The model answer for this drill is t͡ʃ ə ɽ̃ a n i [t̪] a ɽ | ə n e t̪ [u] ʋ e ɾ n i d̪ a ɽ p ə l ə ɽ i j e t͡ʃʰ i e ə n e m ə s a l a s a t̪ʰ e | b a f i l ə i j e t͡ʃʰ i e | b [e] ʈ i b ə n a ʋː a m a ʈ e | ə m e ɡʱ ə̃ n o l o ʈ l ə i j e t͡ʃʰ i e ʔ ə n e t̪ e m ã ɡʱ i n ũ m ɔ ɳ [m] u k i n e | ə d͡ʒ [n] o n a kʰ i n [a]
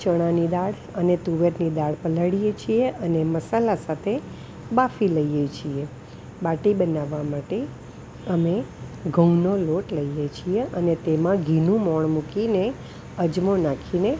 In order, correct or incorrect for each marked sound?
incorrect, correct, incorrect, correct, incorrect, incorrect

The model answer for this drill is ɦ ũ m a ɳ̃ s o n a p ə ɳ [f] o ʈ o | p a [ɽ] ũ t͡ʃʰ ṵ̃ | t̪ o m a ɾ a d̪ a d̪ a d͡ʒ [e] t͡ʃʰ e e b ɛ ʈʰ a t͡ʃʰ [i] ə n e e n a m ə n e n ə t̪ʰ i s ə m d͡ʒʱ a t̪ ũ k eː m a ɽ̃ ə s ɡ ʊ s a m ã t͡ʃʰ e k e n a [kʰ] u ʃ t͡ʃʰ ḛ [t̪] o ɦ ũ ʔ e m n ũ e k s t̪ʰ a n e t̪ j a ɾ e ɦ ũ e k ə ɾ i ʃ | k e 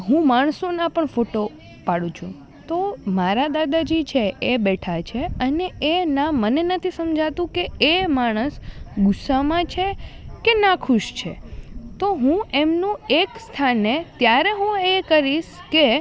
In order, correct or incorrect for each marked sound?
correct, correct, incorrect, incorrect, correct, correct

